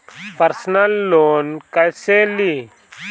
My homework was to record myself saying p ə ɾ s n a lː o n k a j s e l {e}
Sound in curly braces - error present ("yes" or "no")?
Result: yes